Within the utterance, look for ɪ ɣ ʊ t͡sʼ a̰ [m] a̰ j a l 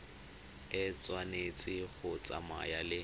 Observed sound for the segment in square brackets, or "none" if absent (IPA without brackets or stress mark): m